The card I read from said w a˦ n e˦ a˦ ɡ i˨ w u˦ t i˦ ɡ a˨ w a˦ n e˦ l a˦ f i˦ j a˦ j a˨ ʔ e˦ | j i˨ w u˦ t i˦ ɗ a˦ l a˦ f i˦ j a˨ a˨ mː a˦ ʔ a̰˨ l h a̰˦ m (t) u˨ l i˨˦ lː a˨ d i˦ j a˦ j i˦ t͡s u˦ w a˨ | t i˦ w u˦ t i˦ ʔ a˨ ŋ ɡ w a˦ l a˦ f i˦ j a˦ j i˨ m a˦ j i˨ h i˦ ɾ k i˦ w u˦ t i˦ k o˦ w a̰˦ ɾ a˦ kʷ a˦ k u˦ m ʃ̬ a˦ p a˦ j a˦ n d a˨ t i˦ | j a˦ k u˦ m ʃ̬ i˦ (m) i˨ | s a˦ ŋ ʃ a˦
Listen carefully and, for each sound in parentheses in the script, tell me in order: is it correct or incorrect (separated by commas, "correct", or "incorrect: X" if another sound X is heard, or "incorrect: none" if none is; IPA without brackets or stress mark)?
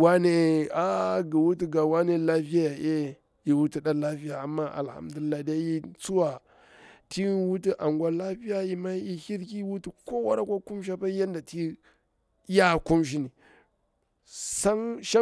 incorrect: d, incorrect: n